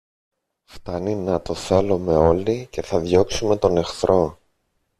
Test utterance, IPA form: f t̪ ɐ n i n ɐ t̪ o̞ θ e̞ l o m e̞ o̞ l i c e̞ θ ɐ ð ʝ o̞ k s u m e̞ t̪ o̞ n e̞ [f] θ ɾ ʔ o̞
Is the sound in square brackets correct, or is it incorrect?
incorrect